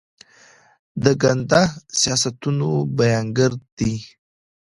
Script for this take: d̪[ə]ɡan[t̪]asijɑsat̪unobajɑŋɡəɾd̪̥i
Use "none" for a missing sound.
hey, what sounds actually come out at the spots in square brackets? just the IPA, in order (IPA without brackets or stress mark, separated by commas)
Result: ə, d̪